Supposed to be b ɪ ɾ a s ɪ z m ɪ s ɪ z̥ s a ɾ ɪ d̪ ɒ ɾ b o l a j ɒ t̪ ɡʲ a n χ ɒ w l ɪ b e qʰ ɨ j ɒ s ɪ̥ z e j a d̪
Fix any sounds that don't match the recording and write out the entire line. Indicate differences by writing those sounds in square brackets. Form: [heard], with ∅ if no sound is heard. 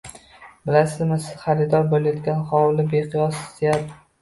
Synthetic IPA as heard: b ɪ [l] a s ɪ z m ɪ s ɪ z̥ [χ] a ɾ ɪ d̪ ɒ ɾ b o l a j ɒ t̪ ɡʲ a n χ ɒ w l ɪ b e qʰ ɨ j ɒ s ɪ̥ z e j a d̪